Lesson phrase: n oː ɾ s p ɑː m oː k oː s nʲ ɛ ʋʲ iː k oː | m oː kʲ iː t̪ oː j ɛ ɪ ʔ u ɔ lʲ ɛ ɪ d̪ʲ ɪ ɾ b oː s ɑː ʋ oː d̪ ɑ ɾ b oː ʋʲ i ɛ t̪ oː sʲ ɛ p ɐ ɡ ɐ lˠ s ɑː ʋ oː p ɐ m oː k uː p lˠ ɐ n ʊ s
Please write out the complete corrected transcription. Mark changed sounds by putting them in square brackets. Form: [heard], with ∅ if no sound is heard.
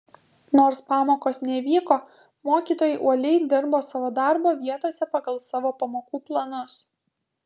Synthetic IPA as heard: n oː ɾ s p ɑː m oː k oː s nʲ ɛ ʋʲ iː k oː | m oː kʲ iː t̪ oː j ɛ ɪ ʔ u ɔ lʲ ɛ ɪ d̪ʲ ɪ ɾ b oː s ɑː ʋ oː d̪ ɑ ɾ b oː ʋʲ i ɛ t̪ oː sʲ ɛ p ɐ ɡ ɐ lˠ s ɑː ʋ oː p ɐ m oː k uː p lˠ ɐ n ʊ s